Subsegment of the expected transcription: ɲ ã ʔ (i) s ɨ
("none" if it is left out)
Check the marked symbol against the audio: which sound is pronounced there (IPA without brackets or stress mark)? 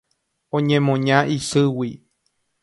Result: i